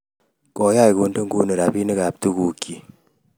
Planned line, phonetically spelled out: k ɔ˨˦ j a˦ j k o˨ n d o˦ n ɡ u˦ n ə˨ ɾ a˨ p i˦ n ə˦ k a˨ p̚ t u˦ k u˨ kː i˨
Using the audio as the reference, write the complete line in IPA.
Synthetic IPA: k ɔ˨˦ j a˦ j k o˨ n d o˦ ŋ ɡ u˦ n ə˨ ɾ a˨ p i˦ n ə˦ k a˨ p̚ t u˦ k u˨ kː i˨